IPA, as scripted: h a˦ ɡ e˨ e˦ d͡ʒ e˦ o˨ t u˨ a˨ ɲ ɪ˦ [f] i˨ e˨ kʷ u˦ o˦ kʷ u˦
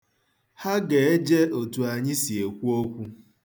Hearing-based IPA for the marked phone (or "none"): s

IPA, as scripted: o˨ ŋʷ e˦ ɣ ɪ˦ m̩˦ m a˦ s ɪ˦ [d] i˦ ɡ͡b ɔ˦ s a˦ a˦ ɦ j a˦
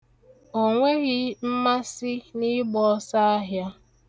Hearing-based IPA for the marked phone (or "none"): n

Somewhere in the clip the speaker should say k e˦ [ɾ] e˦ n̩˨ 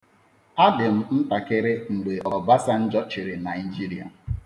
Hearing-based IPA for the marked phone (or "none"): ɾ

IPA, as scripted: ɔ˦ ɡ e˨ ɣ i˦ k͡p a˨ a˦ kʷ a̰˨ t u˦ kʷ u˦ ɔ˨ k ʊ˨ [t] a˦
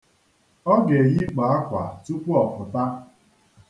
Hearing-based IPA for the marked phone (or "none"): t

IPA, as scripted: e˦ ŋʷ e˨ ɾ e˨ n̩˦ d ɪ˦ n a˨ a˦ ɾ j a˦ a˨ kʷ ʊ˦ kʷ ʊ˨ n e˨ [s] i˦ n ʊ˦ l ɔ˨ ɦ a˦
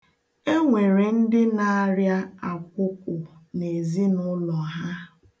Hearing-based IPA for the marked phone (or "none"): z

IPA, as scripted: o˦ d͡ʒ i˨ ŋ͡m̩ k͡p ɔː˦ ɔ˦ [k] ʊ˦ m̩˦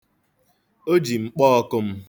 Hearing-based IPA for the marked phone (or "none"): k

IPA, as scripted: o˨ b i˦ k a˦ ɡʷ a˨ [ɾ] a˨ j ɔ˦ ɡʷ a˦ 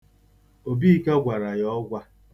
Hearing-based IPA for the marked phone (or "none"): ɾ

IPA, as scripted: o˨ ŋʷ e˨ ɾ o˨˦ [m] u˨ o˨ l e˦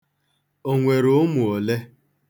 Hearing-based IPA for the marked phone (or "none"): m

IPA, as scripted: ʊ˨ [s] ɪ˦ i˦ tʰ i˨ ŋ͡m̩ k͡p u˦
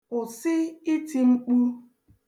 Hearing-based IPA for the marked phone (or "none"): s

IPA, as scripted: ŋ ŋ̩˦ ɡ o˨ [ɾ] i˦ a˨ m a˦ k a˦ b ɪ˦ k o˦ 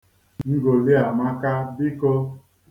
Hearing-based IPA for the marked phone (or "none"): l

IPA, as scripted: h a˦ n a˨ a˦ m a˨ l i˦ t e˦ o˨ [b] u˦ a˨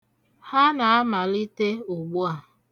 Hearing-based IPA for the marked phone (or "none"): ɡ͡b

